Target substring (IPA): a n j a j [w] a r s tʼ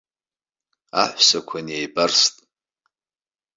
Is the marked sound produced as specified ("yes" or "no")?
no